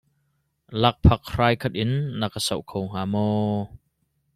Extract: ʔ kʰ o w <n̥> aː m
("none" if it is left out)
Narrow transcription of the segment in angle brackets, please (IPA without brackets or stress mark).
ŋ̥